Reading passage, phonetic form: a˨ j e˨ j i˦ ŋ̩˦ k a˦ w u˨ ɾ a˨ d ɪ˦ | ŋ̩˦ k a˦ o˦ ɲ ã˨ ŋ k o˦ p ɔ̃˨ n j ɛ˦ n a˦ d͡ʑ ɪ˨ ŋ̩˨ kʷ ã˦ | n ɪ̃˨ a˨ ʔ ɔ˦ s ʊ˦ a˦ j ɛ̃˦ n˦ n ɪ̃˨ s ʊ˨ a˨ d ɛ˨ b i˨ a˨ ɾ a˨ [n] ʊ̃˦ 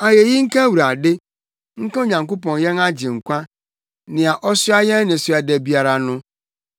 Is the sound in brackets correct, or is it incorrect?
correct